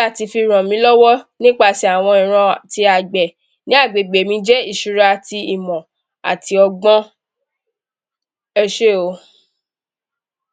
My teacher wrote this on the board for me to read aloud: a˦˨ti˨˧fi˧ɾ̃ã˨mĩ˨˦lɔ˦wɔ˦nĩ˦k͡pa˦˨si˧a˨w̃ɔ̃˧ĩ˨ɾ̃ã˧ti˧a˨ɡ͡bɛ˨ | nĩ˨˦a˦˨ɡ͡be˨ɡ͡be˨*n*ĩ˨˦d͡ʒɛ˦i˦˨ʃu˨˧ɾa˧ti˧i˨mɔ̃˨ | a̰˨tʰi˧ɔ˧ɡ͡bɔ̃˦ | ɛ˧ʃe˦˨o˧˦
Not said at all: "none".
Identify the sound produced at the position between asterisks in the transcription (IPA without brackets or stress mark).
m